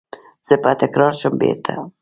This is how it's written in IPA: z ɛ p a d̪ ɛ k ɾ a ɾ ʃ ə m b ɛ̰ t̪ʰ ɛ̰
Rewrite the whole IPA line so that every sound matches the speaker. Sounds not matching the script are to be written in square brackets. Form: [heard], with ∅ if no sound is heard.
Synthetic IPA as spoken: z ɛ p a [t̪] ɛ k ɾ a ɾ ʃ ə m b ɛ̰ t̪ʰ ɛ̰